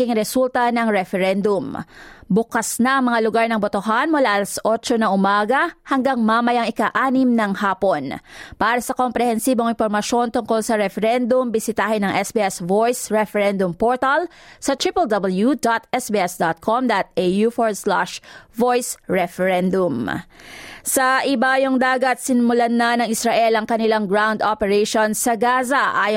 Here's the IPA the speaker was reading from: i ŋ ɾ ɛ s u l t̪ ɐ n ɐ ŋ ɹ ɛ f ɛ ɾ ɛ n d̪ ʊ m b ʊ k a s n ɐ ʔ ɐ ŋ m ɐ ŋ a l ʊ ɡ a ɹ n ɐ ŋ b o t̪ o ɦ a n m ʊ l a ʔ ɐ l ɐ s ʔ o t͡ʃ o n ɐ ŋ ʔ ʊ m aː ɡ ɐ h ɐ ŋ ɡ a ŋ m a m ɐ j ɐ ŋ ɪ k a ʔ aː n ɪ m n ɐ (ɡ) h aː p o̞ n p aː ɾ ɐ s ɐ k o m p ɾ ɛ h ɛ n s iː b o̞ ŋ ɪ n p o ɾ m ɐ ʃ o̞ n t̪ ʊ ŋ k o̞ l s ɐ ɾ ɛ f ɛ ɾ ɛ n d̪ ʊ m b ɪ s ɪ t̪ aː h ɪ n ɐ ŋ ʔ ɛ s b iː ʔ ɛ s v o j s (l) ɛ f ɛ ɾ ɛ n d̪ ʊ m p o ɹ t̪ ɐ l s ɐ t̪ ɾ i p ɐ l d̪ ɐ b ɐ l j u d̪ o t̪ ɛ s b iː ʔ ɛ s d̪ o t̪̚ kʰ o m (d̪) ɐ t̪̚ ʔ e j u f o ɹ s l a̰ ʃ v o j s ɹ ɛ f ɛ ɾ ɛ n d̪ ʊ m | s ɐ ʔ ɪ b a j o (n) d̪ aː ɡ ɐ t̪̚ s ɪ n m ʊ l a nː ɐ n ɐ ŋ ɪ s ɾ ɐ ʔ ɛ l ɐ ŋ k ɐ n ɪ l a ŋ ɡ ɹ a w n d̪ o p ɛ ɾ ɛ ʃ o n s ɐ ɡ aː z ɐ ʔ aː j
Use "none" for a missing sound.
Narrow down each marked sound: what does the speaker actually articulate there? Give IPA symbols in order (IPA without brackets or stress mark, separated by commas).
ŋ, ɹ, d̪, ŋ